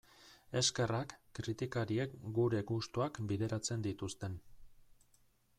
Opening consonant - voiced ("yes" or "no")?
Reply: no